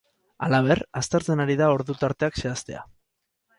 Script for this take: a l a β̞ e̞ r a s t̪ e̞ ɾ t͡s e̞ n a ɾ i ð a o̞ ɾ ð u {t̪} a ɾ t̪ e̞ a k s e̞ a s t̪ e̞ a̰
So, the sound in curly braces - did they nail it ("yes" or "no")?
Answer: yes